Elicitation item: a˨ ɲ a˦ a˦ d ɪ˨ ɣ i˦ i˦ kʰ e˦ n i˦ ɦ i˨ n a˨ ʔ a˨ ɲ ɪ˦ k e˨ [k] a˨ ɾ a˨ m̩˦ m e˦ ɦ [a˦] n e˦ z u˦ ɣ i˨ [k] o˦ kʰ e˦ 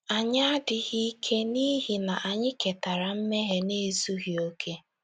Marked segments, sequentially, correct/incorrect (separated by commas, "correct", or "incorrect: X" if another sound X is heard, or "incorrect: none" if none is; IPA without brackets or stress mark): incorrect: t, incorrect: e˦, incorrect: none